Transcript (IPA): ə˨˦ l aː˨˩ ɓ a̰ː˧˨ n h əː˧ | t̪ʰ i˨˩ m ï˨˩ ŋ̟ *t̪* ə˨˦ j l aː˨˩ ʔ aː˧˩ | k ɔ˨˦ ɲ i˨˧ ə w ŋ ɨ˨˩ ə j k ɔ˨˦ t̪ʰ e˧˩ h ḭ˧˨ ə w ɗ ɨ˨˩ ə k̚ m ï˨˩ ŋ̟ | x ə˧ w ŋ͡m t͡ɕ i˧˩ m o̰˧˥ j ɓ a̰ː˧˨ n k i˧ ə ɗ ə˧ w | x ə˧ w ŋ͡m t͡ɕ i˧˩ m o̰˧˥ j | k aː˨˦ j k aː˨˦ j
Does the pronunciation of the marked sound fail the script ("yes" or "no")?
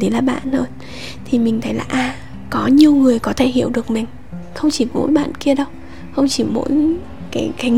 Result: yes